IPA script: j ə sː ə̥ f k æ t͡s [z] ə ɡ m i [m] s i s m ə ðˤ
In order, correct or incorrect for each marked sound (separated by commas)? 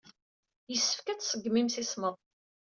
incorrect, correct